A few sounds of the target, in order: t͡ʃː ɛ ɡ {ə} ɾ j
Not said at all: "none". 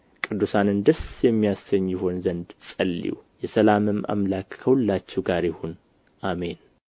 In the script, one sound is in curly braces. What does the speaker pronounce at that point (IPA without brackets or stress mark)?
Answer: a